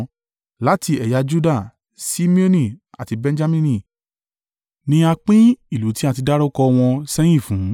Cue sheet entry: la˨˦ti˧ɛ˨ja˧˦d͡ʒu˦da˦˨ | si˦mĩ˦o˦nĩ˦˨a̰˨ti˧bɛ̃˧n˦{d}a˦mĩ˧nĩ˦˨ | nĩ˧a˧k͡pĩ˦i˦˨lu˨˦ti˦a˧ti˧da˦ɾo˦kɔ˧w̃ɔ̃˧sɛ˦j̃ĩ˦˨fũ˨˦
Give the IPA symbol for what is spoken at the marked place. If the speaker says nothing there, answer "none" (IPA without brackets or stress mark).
d͡ʒ